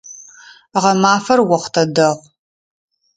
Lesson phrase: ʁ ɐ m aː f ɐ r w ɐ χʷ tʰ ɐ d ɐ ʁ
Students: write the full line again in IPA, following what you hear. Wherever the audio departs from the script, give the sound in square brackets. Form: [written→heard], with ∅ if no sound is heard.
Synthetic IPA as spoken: ʁ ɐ m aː f ɐ r w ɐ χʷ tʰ ɐ d ɐ ʁ